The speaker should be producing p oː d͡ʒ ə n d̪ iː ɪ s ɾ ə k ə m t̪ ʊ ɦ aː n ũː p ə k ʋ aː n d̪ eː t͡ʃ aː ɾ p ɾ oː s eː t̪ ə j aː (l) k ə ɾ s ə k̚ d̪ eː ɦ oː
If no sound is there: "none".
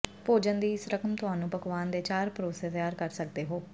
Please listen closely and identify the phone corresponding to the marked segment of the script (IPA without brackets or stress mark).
ɾ